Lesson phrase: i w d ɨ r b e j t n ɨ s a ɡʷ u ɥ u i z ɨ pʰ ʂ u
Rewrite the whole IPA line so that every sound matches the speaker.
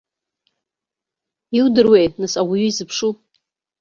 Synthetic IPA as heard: i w d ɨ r w e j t n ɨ s a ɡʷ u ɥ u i z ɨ pʰ ʂ u